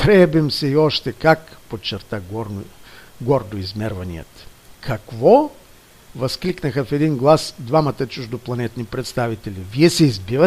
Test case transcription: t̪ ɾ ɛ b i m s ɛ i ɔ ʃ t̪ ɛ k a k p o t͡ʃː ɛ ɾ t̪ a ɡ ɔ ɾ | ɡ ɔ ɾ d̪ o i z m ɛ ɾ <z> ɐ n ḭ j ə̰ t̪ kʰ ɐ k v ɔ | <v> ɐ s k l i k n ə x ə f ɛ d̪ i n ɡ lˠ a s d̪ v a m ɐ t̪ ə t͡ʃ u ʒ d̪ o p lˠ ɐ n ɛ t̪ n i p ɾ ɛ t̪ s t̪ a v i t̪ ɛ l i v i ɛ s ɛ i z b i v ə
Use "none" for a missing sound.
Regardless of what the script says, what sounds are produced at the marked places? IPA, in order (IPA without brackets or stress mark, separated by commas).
v, v